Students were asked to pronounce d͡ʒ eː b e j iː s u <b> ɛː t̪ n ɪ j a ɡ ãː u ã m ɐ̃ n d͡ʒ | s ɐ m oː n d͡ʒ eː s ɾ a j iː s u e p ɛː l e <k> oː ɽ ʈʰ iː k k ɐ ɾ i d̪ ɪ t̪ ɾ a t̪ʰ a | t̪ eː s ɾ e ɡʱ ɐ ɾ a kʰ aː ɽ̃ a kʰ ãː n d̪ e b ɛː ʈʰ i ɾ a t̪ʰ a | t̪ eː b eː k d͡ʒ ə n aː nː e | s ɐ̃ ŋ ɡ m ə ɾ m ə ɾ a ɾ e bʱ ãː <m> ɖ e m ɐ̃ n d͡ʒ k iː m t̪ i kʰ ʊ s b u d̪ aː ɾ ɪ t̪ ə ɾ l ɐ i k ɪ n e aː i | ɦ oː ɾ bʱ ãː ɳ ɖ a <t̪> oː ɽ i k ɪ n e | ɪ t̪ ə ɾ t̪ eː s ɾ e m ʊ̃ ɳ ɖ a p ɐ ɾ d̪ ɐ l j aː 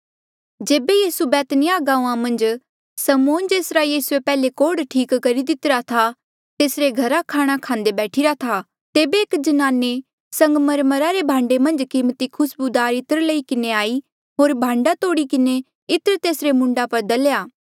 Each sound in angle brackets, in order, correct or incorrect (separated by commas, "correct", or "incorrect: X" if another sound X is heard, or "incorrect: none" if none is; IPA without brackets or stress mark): correct, correct, incorrect: ɳ, correct